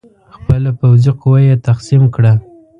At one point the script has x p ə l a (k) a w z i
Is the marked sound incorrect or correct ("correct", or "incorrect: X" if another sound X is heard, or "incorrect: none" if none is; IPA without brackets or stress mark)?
incorrect: p